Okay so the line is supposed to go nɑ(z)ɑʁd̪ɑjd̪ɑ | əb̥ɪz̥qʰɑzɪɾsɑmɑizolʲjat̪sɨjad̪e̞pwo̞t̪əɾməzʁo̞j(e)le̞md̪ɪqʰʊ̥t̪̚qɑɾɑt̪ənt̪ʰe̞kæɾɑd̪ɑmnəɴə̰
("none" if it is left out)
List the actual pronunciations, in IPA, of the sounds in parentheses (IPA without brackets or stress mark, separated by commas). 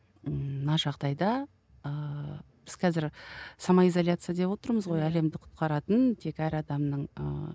ʒ, æ